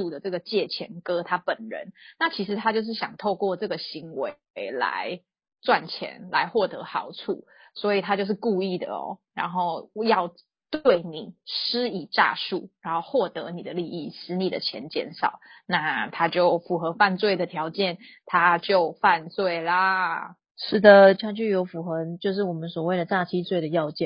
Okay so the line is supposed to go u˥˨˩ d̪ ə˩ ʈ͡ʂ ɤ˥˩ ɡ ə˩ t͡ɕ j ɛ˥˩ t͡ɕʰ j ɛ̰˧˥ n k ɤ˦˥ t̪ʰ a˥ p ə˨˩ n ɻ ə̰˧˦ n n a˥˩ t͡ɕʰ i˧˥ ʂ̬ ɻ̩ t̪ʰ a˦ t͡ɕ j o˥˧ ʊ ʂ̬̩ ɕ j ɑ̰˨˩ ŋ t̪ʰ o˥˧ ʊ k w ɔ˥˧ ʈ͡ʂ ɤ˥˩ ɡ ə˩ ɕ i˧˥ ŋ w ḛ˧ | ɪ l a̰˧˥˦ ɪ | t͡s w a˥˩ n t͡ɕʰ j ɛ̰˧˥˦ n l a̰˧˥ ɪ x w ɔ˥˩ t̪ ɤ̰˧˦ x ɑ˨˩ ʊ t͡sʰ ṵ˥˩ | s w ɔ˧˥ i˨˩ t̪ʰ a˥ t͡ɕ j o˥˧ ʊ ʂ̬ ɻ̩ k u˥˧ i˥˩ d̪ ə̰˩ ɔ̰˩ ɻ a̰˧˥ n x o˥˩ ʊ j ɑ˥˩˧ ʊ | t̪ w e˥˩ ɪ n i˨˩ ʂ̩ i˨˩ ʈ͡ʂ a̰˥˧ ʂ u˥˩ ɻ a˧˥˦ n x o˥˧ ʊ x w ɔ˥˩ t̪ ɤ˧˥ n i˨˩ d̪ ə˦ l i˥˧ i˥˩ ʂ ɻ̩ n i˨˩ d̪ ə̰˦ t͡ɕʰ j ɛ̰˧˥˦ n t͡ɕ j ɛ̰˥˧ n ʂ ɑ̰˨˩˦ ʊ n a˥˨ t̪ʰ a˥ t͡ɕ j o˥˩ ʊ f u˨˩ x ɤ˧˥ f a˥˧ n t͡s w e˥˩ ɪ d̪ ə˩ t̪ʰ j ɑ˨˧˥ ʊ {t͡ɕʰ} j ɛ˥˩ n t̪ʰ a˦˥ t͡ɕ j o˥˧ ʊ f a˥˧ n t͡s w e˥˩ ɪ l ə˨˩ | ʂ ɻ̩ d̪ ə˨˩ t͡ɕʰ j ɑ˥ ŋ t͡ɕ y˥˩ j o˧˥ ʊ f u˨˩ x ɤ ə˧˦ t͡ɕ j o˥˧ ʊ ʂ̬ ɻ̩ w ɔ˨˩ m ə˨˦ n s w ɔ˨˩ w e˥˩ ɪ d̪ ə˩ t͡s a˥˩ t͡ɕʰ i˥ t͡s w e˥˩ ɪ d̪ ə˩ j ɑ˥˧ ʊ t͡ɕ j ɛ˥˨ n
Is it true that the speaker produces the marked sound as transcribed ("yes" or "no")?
no